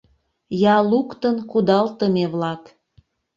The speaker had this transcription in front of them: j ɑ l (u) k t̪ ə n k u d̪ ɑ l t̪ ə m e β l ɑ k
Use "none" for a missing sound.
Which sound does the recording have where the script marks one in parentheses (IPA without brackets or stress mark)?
u